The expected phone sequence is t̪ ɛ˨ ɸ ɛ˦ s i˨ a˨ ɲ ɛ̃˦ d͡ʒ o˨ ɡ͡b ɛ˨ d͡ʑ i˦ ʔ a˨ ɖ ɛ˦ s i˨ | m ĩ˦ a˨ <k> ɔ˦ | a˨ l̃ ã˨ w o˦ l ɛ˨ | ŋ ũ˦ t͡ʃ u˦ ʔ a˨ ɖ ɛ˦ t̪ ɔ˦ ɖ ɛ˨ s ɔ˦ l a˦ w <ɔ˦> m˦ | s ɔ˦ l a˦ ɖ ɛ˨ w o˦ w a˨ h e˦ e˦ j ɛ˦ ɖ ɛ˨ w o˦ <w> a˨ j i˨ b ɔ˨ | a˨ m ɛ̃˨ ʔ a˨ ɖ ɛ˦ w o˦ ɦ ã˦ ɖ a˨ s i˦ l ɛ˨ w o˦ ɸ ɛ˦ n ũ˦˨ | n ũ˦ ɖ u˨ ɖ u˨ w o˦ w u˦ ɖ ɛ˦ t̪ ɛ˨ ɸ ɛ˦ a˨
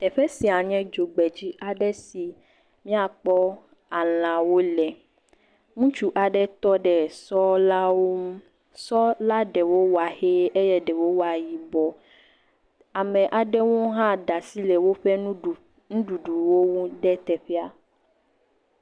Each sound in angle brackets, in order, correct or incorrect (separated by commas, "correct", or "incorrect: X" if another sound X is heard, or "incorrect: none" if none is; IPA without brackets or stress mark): incorrect: k͡p, incorrect: o˦, correct